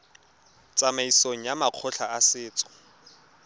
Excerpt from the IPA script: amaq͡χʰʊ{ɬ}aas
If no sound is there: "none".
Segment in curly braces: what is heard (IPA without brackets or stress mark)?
ɬ